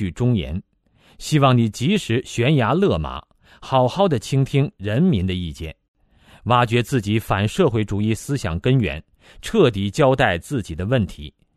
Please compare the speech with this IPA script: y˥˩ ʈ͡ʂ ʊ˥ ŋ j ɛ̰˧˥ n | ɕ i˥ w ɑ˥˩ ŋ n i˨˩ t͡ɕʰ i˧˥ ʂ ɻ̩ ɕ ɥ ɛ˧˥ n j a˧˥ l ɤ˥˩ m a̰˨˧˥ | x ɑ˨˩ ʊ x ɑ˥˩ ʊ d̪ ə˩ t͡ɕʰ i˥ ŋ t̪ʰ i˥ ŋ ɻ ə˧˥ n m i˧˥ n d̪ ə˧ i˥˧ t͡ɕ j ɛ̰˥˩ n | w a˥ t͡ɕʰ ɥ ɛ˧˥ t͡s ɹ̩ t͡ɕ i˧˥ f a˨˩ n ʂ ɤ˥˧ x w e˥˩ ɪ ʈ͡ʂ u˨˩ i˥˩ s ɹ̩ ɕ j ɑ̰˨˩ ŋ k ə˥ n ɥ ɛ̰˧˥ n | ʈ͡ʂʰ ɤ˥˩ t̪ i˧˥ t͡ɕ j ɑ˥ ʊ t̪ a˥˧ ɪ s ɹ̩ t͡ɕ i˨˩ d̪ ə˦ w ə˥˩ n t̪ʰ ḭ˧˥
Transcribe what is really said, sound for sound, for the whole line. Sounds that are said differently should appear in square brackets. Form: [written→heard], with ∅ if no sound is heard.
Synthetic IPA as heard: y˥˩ ʈ͡ʂ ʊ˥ ŋ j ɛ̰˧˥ n | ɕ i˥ w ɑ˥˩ ŋ n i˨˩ [t͡ɕʰ→t͡ɕ] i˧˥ ʂ ɻ̩ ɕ ɥ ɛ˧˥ n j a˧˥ l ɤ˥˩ m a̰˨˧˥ | x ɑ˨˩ ʊ x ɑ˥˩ ʊ d̪ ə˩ t͡ɕʰ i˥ ŋ t̪ʰ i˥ ŋ ɻ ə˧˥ n m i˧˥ n d̪ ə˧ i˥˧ t͡ɕ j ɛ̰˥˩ n | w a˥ [t͡ɕʰ→t͡ɕ] ɥ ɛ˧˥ t͡s ɹ̩ t͡ɕ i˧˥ f a˨˩ n ʂ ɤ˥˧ x w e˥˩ ɪ ʈ͡ʂ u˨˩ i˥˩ s ɹ̩ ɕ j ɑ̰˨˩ ŋ k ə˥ n ɥ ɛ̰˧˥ n | ʈ͡ʂʰ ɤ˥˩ t̪ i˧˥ t͡ɕ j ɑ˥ ʊ t̪ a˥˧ ɪ [s→t͡s] ɹ̩ t͡ɕ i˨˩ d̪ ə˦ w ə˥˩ n t̪ʰ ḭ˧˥